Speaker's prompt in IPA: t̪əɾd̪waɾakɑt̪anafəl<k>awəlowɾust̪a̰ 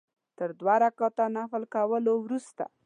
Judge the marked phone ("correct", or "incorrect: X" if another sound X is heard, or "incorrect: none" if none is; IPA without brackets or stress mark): correct